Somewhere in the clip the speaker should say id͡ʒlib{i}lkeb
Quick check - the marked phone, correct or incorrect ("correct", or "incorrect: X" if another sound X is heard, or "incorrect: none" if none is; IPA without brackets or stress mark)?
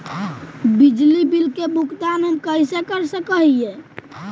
correct